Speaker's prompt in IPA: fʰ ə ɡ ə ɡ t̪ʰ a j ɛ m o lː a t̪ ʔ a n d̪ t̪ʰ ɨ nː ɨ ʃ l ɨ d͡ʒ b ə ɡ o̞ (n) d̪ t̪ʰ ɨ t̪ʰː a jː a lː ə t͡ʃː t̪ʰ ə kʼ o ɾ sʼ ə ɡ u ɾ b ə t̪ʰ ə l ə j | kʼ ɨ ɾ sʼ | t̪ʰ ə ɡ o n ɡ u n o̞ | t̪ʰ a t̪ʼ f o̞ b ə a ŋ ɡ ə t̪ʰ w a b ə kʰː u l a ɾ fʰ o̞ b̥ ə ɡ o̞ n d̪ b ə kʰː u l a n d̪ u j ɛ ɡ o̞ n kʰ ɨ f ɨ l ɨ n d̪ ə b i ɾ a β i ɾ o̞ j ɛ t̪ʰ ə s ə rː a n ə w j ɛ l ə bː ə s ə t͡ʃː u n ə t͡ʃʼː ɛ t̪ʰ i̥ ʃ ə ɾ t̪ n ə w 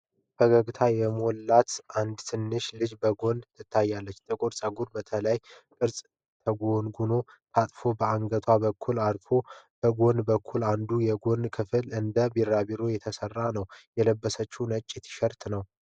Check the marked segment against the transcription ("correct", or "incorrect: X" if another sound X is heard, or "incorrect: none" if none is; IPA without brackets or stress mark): correct